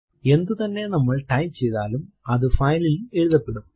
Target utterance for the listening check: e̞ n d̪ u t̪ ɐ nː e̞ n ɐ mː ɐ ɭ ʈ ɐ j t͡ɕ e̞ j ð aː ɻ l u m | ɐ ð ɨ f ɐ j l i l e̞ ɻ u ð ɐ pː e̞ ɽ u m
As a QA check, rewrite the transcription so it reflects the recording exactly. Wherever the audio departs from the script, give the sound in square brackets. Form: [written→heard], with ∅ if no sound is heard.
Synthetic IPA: e̞ n d̪ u t̪ ɐ nː e̞ n ɐ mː ɐ ɭ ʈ ɐ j t͡ɕ e̞ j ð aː [ɻ→∅] l u m | ɐ ð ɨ f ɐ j l i l e̞ ɻ u ð ɐ pː e̞ ɽ u m

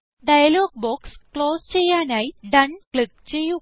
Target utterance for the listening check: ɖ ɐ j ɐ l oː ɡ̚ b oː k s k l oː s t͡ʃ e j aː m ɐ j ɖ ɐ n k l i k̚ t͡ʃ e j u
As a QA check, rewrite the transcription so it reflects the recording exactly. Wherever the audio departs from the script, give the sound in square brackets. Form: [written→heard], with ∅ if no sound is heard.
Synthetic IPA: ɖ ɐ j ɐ l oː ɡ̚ b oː k s k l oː s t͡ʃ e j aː [m→n] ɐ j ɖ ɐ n k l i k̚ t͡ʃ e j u

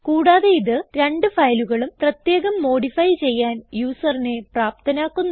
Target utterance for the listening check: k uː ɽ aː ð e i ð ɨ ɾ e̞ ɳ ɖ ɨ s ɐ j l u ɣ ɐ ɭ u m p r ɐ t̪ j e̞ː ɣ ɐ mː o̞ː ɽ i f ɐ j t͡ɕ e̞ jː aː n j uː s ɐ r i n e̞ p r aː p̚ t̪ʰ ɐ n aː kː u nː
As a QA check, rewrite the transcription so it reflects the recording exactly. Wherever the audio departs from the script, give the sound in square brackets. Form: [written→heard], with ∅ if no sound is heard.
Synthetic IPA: k uː ɽ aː ð e i ð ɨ ɾ e̞ ɳ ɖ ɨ [s→f] ɐ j l u ɣ ɐ ɭ u m p r ɐ t̪ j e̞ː ɣ ɐ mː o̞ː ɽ i f ɐ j t͡ɕ e̞ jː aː n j uː s ɐ r i n e̞ p r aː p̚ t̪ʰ ɐ n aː kː u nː

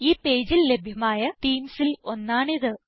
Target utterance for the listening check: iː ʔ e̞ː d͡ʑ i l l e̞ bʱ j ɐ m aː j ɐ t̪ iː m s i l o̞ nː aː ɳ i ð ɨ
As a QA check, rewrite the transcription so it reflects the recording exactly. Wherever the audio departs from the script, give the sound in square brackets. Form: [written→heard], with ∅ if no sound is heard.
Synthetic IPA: iː [ʔ→p] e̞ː d͡ʑ i l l e̞ bʱ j ɐ m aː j ɐ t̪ iː m s i l o̞ nː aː ɳ i ð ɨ

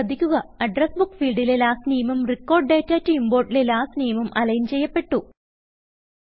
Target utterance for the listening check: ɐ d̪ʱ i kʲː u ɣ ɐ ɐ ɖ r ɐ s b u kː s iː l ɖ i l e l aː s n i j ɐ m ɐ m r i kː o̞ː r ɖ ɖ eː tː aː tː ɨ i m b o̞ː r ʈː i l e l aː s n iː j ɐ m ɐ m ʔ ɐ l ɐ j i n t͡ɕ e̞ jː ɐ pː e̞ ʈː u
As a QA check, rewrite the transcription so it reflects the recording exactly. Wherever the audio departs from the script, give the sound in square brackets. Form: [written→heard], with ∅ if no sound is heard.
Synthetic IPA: ɐ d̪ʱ i kʲː u ɣ ɐ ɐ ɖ r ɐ s b u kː [s→f] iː l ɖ i l e l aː s n i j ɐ m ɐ m r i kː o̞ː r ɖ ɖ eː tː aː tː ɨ i m b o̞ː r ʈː i l e l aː s n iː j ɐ m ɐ m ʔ ɐ l ɐ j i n t͡ɕ e̞ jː ɐ pː e̞ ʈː u

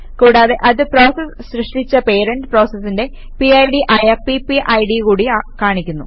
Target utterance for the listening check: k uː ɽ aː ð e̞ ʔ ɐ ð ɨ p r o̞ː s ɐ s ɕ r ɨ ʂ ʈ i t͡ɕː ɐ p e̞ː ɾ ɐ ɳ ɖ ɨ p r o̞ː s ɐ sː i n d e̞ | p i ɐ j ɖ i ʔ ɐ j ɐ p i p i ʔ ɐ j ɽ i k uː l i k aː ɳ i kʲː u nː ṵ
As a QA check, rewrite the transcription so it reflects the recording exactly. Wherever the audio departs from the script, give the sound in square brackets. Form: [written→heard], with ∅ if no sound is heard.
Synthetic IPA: k uː ɽ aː ð e̞ ʔ ɐ ð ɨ p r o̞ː s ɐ s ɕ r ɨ ʂ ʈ i t͡ɕː ɐ p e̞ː ɾ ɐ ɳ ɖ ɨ p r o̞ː s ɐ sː i n d e̞ | p i ɐ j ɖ i ʔ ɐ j ɐ p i p i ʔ ɐ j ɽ i k uː [l→ɽ] i k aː ɳ i kʲː u nː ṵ

